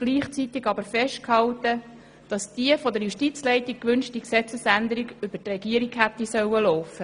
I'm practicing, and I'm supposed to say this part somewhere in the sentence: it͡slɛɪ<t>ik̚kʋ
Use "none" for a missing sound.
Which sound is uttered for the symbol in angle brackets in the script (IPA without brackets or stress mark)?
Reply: t